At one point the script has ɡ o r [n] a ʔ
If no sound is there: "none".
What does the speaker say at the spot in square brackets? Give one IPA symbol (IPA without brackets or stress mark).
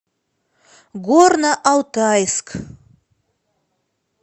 n